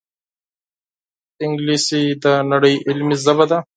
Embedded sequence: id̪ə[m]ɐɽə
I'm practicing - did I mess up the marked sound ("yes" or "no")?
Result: yes